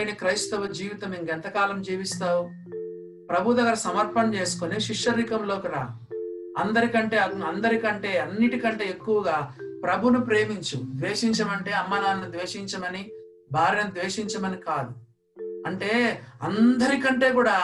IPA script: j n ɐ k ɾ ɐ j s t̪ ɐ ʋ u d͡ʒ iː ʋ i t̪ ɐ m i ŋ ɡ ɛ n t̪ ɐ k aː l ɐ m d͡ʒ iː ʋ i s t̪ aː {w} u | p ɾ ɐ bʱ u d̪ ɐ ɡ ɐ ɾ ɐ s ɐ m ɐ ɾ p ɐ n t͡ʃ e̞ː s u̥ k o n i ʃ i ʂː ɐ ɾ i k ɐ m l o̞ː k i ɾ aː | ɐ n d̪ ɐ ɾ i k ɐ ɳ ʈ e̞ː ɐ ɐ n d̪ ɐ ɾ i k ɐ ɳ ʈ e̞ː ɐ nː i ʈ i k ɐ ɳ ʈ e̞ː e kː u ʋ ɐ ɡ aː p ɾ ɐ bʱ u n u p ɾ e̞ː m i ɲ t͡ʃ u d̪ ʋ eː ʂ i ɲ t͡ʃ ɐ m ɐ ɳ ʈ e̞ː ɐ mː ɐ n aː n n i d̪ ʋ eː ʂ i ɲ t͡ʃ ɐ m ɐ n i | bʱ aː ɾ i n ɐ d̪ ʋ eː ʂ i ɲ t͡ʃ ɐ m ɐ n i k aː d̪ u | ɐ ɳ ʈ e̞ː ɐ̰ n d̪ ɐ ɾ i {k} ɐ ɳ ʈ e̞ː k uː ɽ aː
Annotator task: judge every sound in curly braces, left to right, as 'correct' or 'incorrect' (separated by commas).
correct, correct